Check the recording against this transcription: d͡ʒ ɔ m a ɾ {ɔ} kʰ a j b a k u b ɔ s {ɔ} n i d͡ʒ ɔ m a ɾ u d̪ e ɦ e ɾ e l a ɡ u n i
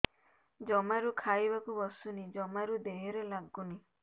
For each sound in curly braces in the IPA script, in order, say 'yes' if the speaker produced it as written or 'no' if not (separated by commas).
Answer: no, no